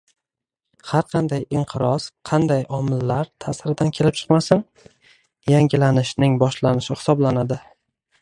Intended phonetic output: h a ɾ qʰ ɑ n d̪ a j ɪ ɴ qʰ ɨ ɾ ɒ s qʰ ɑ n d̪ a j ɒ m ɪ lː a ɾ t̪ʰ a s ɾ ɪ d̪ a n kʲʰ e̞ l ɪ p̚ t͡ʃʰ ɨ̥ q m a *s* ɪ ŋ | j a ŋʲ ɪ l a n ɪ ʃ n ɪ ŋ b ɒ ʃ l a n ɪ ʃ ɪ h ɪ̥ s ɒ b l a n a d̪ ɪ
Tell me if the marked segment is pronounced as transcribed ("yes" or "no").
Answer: yes